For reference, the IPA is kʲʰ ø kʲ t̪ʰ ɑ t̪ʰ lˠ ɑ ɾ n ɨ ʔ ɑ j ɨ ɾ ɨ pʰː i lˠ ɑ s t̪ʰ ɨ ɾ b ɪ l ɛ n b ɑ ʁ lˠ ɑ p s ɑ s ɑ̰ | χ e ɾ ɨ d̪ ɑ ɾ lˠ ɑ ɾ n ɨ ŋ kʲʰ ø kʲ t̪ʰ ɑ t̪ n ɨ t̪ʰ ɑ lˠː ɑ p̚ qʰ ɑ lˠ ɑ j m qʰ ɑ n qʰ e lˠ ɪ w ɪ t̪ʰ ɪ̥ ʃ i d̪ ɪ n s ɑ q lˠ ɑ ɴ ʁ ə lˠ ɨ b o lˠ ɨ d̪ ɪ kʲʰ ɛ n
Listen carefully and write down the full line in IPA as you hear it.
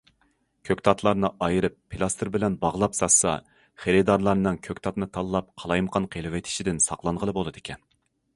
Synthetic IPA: kʲʰ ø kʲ t̪ʰ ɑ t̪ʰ lˠ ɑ ɾ n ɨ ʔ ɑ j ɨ ɾ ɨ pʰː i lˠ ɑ s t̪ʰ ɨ ɾ b ɪ l ɛ n b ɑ ʁ lˠ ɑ p s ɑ s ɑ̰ | χ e ɾ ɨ d̪ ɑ ɾ lˠ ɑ ɾ n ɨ ŋ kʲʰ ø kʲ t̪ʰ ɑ t̪ n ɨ t̪ʰ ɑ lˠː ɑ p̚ qʰ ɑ lˠ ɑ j m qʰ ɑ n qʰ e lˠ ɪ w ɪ t̪ʰ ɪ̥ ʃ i d̪ ɪ n s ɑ q lˠ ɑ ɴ ʁ ə lˠ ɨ b o lˠ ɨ d̪ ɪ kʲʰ ɛ n